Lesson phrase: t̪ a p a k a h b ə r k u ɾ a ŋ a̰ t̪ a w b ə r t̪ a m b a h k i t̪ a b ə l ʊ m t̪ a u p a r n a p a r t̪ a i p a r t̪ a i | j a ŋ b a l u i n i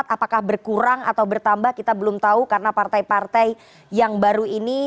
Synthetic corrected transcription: t̪ a p a k a h b ə r k u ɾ a ŋ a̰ t̪ a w b ə r t̪ a m b a h k i t̪ a b ə l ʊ m t̪ a u k a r n a p a r t̪ a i p a r t̪ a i | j a ŋ b a ɾ u i n i